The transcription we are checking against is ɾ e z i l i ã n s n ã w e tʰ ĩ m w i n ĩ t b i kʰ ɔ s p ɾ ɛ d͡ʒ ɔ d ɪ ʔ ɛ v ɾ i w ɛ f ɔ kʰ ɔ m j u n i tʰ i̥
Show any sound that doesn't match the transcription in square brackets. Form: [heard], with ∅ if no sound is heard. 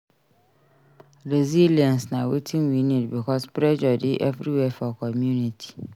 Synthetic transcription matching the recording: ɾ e z i l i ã n s n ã w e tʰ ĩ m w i n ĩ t b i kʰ ɔ s p ɾ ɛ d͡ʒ ɔ d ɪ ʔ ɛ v ɾ i w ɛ f ɔ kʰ ɔ m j u n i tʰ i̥